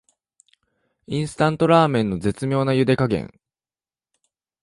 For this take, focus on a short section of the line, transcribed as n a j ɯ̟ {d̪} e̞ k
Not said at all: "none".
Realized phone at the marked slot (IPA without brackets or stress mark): d̪